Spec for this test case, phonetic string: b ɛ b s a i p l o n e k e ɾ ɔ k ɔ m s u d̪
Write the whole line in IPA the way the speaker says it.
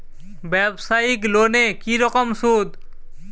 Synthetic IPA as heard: b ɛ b s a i k l o n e k i ɾ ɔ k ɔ m s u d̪